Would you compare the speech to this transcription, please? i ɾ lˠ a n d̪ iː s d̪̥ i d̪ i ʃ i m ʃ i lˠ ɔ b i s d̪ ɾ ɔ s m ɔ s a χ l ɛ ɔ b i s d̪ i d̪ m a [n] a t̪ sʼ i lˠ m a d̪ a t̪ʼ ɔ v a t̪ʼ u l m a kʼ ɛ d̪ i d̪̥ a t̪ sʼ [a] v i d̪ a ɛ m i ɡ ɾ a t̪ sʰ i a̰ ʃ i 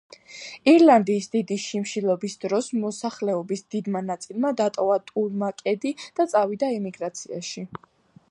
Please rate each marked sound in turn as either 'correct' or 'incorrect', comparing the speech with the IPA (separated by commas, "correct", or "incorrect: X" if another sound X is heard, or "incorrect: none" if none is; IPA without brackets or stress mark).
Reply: correct, correct